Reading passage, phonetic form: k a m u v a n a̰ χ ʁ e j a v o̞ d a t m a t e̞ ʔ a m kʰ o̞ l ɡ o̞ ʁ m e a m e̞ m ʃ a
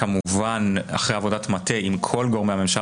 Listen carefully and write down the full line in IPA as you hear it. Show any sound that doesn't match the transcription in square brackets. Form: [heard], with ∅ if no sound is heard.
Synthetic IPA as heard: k a m u v a n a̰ χ ʁ e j a v o̞ d a t m a t e̞ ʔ [i] m kʰ o̞ l ɡ o̞ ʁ m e a m e̞ m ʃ a